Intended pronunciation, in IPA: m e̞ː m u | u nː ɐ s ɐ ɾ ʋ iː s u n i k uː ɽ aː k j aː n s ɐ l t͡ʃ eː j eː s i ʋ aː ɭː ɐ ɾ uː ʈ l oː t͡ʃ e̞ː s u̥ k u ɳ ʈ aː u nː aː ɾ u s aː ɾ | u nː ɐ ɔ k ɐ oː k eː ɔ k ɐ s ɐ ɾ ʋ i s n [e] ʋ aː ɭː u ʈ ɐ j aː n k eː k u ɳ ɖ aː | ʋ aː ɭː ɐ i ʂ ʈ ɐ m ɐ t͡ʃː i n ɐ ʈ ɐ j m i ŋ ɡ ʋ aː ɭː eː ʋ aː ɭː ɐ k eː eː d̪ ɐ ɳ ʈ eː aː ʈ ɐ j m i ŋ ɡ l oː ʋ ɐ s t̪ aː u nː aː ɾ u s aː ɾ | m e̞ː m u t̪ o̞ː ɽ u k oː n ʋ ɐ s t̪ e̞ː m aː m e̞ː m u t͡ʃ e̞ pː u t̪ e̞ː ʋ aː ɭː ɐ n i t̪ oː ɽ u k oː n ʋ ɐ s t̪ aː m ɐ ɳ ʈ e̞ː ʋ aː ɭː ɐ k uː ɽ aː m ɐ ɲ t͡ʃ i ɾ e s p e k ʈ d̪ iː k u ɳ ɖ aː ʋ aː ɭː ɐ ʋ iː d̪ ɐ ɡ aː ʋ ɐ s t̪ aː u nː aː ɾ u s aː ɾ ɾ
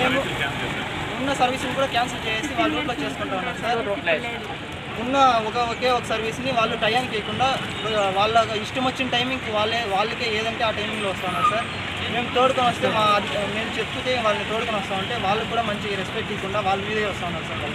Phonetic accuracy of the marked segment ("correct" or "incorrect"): incorrect